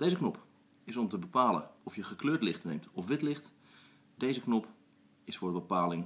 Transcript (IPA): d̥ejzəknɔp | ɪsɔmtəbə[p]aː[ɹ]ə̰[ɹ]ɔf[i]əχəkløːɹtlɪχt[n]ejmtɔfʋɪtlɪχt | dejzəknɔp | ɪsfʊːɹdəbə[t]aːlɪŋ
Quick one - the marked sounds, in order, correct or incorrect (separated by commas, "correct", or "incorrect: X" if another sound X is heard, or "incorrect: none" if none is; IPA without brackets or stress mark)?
correct, incorrect: l, incorrect: none, incorrect: j, correct, incorrect: p